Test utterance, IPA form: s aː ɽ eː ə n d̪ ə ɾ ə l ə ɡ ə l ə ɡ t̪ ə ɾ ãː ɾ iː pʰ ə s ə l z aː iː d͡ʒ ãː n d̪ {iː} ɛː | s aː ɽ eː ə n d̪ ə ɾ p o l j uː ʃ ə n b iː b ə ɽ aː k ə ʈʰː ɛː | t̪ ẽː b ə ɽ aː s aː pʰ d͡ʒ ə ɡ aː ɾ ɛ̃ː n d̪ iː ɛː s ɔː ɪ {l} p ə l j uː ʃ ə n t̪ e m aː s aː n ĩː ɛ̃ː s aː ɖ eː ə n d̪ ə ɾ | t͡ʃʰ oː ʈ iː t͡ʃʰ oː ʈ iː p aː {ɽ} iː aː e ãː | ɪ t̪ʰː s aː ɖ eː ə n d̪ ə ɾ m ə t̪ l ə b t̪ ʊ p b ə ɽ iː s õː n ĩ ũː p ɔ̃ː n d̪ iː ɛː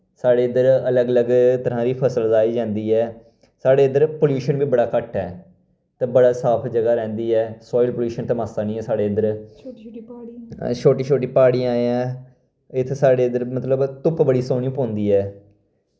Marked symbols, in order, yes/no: yes, yes, yes

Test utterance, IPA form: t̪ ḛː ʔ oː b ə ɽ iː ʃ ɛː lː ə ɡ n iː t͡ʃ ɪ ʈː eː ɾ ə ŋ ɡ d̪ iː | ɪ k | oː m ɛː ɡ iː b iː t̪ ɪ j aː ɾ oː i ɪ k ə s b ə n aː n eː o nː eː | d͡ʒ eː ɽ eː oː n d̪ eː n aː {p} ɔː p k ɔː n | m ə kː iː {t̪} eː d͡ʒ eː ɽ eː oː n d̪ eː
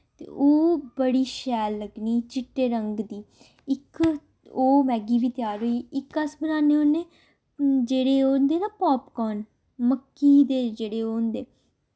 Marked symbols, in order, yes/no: yes, no

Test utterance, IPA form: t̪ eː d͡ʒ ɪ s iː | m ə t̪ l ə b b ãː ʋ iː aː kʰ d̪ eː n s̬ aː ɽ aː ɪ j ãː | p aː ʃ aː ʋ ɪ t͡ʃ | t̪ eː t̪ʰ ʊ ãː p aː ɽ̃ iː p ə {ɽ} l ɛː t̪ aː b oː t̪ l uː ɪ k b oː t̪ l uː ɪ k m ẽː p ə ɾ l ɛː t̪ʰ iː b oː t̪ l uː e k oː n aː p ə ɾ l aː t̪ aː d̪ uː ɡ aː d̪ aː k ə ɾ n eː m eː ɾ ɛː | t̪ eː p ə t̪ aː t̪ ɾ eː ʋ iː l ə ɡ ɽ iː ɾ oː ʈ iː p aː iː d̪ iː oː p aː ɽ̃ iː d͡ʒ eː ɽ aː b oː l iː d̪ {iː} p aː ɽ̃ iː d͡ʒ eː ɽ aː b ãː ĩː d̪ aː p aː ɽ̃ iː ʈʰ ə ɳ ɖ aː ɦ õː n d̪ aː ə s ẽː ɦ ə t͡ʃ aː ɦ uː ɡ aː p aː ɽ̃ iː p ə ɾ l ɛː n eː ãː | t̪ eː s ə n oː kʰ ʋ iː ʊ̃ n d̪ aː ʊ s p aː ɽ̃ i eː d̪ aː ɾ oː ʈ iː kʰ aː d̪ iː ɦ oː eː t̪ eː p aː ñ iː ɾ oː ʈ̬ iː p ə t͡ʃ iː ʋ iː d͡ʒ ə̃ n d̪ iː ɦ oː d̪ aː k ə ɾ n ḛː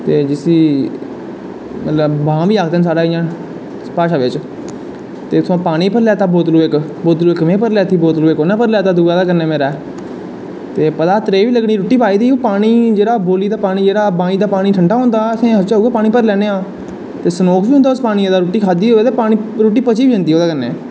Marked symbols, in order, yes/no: no, no

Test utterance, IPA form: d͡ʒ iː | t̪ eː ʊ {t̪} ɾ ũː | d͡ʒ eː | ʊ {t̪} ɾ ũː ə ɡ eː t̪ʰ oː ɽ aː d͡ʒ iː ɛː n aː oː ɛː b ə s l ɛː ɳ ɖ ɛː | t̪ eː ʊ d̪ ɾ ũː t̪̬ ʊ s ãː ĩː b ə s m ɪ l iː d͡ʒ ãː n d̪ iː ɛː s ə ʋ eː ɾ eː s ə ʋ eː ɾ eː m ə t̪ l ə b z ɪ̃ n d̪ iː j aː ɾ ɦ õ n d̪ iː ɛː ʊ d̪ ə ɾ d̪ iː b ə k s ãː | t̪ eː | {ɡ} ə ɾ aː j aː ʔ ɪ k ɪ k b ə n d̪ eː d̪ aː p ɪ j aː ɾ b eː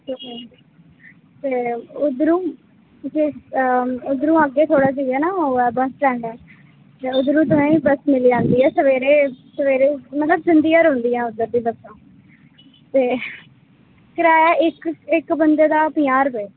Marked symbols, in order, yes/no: no, no, no

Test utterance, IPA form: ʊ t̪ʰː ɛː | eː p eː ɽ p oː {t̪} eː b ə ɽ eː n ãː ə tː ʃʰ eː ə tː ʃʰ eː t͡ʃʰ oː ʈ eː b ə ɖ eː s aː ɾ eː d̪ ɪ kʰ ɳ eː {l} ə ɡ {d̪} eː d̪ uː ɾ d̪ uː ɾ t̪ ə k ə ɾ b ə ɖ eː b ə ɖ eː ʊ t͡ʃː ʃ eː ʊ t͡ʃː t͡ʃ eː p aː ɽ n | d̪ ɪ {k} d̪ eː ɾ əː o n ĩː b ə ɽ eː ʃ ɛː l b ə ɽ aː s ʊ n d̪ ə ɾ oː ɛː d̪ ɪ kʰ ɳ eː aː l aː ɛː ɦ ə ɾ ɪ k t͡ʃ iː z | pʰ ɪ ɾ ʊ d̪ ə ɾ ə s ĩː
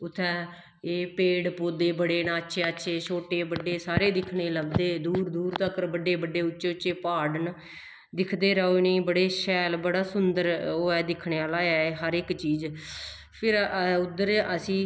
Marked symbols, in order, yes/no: no, yes, yes, no

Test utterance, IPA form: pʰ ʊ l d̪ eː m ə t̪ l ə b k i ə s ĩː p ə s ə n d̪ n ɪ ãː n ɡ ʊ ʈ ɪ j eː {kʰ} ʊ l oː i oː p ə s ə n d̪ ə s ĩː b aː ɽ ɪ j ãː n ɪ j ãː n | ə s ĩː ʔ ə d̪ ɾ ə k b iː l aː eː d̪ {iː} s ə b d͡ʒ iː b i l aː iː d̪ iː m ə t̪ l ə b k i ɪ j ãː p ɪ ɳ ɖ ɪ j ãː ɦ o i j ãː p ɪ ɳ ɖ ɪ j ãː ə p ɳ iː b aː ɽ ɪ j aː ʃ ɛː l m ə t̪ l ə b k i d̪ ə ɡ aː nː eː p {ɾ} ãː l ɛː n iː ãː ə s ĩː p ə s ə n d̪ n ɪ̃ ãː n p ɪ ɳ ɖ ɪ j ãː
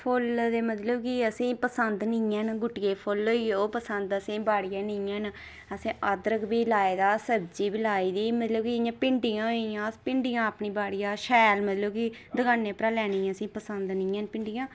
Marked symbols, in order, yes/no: no, no, yes

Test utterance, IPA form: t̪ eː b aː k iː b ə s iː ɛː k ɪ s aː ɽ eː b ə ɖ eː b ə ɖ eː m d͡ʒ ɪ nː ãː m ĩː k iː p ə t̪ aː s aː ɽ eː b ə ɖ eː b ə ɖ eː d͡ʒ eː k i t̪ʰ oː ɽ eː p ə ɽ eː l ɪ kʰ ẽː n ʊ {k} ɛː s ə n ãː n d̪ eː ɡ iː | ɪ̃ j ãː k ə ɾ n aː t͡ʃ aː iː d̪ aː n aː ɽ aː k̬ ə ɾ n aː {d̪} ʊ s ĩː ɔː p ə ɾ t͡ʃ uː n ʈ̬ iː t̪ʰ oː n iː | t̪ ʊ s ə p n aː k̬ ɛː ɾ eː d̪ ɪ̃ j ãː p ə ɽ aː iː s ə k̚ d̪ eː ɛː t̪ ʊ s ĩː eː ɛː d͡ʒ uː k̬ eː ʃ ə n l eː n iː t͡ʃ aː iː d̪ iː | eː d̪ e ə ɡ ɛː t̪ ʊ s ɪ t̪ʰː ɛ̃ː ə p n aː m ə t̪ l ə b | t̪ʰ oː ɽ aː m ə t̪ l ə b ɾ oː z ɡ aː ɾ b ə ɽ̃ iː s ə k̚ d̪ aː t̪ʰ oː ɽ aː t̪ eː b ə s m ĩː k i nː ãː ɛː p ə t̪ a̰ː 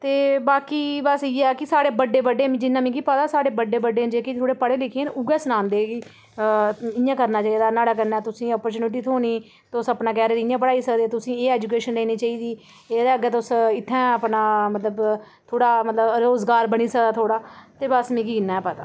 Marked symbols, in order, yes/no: no, no

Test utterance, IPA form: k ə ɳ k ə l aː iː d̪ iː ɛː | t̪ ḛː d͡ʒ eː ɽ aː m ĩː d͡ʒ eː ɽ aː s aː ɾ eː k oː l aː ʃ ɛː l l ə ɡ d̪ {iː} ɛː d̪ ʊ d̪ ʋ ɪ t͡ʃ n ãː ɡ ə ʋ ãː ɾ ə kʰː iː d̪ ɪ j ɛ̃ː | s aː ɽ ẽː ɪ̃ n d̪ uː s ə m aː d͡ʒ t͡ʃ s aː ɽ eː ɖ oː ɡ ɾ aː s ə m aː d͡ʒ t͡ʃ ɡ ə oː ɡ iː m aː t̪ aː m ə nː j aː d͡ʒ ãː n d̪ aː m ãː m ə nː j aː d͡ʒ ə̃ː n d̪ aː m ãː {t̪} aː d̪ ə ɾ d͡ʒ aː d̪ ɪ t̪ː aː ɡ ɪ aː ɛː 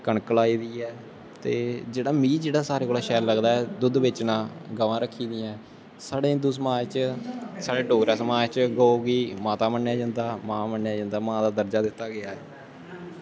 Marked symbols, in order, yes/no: no, no

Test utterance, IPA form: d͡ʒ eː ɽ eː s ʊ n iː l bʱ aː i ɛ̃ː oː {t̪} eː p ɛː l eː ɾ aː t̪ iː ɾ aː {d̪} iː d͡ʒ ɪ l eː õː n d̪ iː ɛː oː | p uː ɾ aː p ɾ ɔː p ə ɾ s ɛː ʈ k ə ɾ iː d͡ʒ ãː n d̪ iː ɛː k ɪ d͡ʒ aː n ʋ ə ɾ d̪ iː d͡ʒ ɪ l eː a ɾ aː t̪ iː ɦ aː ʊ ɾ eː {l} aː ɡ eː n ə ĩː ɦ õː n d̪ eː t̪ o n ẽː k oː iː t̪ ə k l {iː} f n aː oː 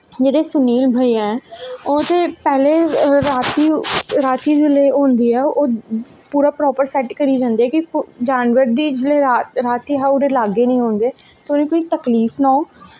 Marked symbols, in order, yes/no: yes, no, yes, yes

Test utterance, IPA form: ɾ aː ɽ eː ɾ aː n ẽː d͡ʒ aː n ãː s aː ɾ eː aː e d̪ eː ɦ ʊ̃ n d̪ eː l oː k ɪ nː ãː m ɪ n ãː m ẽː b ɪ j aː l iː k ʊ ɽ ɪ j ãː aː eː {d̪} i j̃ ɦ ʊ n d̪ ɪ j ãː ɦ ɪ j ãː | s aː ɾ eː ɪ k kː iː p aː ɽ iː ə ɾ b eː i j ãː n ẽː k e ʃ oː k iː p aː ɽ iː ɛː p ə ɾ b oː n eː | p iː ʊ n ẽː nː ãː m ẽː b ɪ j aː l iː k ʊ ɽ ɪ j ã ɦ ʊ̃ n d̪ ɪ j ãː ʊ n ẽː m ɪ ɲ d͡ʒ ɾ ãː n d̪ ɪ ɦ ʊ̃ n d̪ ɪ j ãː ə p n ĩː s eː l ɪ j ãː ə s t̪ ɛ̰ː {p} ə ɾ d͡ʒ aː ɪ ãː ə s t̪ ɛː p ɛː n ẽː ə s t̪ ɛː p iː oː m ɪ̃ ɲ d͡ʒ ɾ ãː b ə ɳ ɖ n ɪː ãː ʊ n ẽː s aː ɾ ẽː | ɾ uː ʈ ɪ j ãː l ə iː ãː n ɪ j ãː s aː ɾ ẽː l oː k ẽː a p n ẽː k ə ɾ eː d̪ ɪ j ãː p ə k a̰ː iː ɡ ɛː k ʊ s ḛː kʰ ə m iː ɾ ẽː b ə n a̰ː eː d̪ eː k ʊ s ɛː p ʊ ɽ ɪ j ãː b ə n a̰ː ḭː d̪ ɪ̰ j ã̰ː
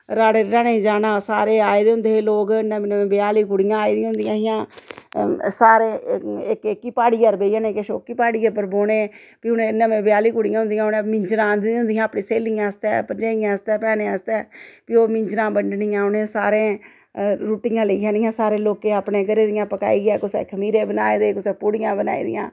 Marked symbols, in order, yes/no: yes, yes

